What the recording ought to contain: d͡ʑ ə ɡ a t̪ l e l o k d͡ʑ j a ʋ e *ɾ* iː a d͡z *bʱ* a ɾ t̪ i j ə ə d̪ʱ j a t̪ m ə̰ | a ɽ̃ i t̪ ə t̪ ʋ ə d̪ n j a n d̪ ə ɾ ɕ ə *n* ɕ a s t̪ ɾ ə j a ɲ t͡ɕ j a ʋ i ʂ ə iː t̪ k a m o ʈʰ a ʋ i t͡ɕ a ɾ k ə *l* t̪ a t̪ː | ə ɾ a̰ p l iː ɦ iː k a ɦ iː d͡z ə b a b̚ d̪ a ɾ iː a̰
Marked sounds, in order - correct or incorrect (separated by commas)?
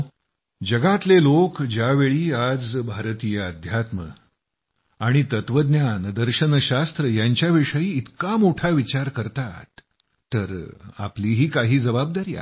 incorrect, correct, correct, incorrect